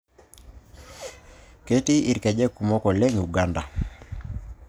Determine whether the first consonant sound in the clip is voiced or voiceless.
voiceless